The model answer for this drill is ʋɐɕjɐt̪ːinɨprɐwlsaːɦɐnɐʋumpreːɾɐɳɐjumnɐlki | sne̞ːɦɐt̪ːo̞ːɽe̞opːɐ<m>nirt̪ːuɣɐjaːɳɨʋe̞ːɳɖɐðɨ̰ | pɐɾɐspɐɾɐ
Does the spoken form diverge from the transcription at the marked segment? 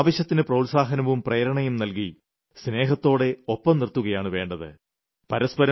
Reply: no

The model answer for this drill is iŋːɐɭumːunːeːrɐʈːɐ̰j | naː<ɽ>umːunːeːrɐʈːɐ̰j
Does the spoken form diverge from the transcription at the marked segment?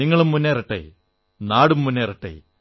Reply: no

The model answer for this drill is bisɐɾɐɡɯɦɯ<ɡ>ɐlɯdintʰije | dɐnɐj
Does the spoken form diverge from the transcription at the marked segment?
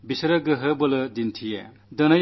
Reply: yes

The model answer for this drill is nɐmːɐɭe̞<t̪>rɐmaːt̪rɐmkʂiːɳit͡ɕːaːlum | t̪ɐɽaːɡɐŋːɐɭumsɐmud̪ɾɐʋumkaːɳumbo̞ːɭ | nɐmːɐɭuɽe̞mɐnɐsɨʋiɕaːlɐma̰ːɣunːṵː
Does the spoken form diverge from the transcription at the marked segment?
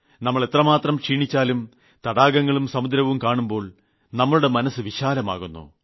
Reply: no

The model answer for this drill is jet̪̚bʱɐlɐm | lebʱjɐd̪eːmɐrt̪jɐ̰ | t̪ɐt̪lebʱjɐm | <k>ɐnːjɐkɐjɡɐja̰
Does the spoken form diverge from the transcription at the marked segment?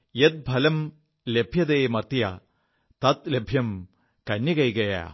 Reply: no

